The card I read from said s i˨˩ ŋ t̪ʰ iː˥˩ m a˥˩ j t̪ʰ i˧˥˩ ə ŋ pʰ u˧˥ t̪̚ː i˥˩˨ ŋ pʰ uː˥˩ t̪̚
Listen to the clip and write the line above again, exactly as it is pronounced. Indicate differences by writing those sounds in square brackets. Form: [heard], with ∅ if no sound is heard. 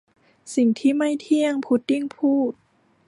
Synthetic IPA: s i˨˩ ŋ t̪ʰ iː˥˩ m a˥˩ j t̪ʰ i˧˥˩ ə ŋ pʰ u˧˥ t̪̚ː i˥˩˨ ŋ pʰ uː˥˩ t̪̚